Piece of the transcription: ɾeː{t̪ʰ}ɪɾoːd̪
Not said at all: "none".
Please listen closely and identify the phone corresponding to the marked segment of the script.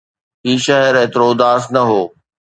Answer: t̪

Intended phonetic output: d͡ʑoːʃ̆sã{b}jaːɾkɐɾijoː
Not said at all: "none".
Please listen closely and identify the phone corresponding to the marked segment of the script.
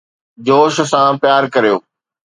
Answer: p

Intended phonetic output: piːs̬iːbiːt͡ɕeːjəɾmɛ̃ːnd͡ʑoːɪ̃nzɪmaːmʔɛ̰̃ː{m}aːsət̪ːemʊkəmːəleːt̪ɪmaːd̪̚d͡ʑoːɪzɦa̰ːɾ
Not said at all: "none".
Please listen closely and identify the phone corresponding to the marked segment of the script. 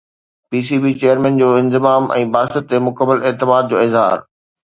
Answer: b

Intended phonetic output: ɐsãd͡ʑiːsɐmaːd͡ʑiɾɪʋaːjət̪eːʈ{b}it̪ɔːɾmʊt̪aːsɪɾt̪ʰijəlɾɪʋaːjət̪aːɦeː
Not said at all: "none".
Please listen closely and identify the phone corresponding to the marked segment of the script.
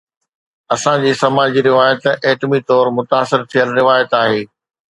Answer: m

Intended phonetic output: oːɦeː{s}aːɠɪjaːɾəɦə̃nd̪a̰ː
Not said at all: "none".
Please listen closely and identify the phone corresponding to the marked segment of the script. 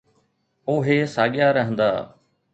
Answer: s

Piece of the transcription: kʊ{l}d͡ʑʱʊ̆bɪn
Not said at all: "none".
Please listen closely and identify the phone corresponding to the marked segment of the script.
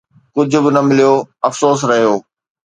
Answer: none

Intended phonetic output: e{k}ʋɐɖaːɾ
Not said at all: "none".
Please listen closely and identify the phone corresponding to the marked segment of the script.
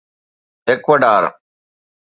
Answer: k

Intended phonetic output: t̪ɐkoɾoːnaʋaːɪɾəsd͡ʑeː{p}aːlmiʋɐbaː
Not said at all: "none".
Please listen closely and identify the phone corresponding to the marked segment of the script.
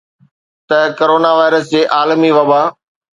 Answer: ʔ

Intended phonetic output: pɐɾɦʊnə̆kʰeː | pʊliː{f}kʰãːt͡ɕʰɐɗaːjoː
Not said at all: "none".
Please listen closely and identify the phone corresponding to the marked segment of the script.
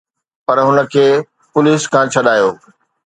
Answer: s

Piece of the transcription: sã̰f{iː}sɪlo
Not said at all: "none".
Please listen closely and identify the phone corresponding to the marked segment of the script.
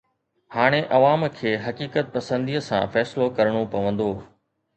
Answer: ɛː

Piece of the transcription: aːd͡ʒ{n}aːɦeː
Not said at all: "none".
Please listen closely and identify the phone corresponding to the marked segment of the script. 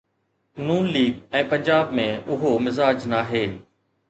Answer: n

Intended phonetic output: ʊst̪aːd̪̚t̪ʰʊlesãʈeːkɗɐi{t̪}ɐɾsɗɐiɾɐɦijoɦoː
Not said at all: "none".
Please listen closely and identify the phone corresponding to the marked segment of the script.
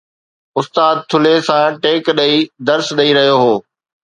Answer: d̪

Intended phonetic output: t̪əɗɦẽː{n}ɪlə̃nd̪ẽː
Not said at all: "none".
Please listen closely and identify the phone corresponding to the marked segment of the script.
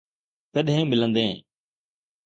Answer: m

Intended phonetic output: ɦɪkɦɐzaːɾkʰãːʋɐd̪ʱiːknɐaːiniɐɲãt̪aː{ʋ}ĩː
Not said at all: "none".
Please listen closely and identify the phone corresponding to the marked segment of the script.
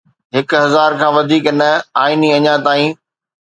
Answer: none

